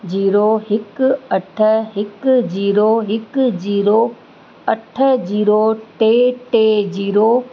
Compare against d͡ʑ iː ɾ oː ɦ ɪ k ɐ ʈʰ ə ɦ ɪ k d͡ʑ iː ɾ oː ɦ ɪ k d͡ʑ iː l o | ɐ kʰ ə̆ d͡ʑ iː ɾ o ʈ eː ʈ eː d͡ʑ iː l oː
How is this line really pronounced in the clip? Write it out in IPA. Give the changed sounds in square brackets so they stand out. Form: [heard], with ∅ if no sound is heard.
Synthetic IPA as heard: d͡ʑ iː ɾ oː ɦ ɪ k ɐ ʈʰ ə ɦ ɪ k d͡ʑ iː ɾ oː ɦ ɪ k d͡ʑ iː [ɾ] o | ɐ [ʈʰ] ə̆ d͡ʑ iː ɾ o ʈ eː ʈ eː d͡ʑ iː [ɾ] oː